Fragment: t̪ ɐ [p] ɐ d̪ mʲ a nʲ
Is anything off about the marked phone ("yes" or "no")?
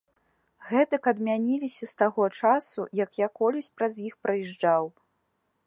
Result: yes